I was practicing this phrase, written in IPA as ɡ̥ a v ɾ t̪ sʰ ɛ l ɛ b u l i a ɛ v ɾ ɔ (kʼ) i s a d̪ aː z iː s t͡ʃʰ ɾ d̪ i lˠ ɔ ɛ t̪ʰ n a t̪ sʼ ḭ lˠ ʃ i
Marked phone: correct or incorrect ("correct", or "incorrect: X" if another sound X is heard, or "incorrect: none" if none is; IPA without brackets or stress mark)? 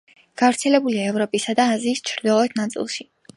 incorrect: pʼ